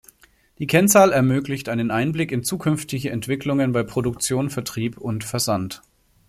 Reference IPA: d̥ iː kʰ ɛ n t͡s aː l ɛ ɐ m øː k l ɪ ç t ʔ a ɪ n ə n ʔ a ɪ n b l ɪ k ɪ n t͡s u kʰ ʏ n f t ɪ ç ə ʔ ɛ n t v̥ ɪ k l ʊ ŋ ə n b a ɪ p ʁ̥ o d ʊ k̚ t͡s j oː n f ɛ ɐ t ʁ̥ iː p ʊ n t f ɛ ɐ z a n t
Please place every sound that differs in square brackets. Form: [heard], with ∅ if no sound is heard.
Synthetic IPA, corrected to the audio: d̥ iː kʰ ɛ n t͡s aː l ɛ ɐ m øː k l ɪ ç t ʔ a ɪ n ə n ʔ a ɪ n b l ɪ k ɪ n t͡s [uː] kʰ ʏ n f t ɪ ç ə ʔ ɛ n t v̥ ɪ k l ʊ ŋ ə n b a ɪ p ʁ̥ o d ʊ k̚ t͡s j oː n f ɛ ɐ t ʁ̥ iː p ʊ n t f ɛ ɐ z a n t